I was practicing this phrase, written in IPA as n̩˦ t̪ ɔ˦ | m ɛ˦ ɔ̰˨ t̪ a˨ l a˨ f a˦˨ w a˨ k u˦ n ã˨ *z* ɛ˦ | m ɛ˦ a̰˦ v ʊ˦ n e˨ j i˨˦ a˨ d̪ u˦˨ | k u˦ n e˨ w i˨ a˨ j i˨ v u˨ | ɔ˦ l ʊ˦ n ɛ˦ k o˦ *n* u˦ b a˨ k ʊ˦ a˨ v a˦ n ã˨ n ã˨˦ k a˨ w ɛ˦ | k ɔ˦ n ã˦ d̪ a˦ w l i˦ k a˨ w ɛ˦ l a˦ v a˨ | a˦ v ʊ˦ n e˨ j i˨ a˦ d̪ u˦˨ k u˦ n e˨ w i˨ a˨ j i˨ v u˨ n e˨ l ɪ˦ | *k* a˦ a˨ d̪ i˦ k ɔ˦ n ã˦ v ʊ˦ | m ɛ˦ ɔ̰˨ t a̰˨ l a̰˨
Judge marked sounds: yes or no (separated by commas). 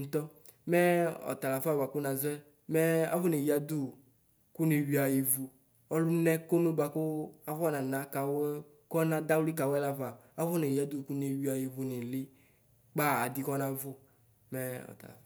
yes, yes, no